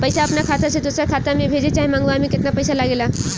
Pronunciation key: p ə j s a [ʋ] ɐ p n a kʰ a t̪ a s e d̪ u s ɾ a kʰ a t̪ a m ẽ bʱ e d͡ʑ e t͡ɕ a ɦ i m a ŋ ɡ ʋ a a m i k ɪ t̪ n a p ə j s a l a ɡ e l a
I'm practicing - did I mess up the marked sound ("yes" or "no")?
yes